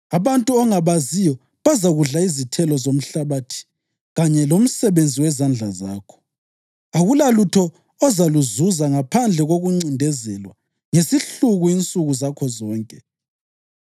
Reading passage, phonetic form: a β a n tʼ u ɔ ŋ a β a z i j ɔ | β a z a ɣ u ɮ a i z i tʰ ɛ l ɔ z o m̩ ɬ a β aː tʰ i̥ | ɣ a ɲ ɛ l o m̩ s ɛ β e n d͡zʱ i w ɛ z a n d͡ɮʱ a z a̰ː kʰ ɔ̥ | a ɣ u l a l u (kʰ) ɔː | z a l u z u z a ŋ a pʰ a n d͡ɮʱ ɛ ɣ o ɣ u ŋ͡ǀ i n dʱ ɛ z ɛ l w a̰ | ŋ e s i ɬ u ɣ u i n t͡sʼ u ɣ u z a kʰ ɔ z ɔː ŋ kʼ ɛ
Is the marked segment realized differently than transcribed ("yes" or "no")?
yes